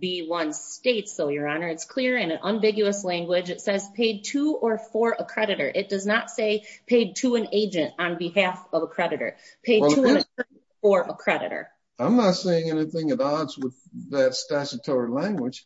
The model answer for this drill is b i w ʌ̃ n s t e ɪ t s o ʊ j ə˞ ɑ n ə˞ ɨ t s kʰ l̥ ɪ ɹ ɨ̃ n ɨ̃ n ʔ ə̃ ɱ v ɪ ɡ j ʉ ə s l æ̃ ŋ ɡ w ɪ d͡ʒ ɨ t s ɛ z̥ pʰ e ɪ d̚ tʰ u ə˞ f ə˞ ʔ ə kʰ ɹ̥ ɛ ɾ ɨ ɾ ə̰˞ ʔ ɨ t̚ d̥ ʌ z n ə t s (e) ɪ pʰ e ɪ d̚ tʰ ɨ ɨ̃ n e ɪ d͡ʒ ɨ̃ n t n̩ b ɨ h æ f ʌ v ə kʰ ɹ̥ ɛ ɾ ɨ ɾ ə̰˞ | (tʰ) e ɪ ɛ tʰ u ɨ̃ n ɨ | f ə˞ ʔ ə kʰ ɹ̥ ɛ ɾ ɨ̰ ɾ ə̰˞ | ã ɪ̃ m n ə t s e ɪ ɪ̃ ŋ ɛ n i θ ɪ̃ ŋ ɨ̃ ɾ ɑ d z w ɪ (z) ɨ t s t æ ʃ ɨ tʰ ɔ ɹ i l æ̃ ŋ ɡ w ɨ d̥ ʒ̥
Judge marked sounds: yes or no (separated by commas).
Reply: yes, no, no